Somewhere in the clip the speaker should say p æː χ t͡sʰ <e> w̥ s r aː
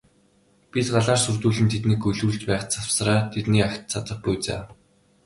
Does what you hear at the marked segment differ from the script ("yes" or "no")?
yes